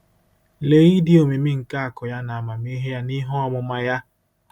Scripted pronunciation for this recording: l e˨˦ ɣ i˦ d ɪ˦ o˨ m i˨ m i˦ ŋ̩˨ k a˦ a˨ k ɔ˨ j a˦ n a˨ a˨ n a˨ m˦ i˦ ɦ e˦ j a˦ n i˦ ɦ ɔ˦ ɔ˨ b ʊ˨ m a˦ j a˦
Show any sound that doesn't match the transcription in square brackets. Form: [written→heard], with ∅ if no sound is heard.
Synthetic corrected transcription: l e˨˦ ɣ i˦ d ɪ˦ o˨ m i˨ m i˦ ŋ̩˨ k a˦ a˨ k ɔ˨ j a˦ n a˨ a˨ [n→m] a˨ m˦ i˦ ɦ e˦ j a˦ n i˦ ɦ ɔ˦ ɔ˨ [b→m] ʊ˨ m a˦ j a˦